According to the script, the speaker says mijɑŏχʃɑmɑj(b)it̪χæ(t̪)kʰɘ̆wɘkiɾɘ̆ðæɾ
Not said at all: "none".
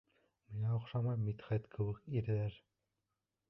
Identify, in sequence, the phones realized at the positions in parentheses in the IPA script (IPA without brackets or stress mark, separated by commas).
m, t̪